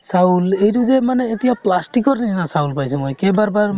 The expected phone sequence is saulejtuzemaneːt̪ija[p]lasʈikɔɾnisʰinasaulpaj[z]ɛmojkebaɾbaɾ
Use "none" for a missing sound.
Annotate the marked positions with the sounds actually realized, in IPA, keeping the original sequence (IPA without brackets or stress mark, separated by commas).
p, s